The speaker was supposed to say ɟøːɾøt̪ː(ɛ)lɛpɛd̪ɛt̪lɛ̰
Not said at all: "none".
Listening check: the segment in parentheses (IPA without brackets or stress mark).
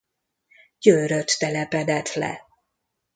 ɛ